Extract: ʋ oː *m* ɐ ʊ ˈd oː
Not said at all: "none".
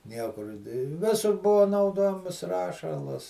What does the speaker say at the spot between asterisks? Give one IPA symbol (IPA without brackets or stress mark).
n